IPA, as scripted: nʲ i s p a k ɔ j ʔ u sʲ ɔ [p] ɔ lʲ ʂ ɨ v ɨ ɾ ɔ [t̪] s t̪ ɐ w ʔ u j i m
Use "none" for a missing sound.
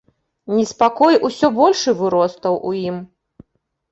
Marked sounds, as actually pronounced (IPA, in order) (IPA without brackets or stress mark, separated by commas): b, none